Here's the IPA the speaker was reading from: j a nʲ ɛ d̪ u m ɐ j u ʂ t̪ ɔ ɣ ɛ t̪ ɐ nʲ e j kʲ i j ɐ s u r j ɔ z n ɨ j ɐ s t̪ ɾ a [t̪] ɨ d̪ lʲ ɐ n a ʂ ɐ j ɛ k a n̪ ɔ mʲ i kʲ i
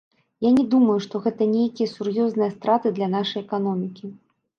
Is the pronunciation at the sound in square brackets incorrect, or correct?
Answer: correct